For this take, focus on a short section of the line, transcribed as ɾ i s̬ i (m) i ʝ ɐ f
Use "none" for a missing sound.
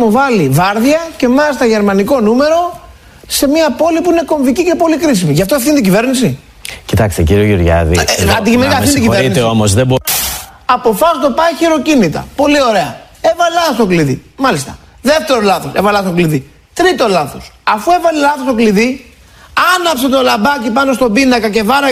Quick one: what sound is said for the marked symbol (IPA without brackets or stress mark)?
m